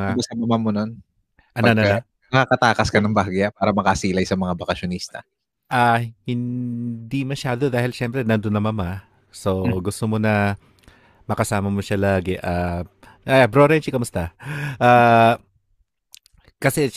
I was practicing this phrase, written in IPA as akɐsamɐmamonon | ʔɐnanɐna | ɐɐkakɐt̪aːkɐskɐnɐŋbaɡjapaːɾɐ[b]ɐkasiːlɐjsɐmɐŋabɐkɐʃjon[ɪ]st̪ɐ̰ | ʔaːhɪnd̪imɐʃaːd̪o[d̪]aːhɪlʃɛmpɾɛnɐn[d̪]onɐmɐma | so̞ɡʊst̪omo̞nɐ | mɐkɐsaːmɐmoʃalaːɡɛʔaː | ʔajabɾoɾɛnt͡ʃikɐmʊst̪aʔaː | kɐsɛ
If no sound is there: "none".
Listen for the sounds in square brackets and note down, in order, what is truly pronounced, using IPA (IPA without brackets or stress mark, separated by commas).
m, i, d̪, d̪